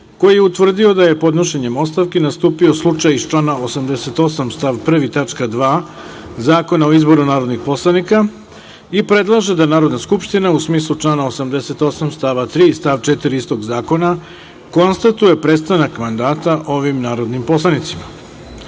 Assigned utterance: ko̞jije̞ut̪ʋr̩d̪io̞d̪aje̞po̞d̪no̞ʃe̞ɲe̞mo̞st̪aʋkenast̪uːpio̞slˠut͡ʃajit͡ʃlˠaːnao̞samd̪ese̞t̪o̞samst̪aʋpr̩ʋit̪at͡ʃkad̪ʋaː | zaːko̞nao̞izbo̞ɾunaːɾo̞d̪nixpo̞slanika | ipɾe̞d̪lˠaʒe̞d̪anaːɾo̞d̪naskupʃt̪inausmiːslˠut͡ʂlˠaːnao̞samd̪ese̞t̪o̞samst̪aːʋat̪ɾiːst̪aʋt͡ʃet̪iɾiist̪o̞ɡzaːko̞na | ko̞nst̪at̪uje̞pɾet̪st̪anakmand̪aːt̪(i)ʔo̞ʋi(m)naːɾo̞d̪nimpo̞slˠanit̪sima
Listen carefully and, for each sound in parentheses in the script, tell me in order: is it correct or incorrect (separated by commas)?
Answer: incorrect, correct